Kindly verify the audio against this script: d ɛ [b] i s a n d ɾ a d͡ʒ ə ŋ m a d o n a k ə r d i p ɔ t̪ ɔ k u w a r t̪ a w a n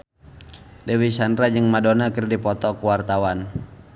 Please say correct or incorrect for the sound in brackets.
incorrect